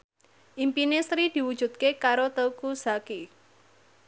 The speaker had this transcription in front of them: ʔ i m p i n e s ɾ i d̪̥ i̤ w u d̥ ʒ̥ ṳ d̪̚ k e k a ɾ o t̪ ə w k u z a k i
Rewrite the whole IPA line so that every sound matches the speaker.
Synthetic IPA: ʔ i m p i n e s ɾ i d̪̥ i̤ w u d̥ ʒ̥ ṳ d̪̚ k e k a ɾ o t̪ ə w k u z a k i